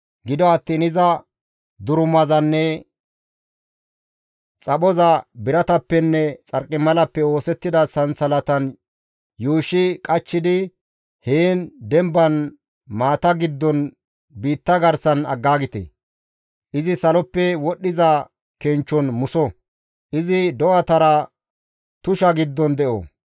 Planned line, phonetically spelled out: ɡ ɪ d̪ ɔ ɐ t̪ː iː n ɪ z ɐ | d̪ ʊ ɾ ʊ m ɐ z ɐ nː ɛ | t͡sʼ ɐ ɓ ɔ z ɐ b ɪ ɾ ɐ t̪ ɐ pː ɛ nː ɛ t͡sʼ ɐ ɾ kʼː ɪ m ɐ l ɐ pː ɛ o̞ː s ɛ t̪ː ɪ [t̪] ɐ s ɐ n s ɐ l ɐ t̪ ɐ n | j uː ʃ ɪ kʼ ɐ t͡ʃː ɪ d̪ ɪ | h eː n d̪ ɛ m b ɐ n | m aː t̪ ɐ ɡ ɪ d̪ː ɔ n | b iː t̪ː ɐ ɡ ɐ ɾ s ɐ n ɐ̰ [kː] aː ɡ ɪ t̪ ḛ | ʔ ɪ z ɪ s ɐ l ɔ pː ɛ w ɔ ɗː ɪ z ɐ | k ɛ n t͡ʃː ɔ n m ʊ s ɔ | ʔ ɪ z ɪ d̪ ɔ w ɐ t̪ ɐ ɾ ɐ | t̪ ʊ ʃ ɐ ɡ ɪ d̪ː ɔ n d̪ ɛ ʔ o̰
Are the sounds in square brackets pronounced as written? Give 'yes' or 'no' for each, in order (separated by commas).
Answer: no, no